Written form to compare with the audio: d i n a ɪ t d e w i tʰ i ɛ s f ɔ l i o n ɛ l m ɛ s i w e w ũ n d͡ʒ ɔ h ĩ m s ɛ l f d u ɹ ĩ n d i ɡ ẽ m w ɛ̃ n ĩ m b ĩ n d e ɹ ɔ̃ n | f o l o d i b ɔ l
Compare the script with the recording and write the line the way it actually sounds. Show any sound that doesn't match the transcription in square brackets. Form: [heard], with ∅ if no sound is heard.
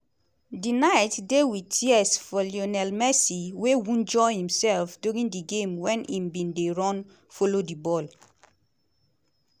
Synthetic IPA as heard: d i n a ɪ t d e w i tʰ i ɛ s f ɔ l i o n ɛ l m ɛ s i w e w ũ n d͡ʒ ɔ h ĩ m s ɛ l f d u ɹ ĩ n d i ɡ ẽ m w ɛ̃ n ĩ m b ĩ n d e ɹ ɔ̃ n | f o l o d i b ɔ l